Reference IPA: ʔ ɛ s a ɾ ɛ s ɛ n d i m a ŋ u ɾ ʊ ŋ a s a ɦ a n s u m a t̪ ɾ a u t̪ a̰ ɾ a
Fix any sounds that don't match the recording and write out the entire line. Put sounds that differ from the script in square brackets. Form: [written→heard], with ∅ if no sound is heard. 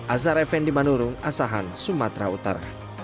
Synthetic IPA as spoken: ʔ [ɛ→a] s a ɾ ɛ [s→f] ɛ n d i m a [ŋ→n] u ɾ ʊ ŋ a s a ɦ a n s u m a t̪ ɾ a u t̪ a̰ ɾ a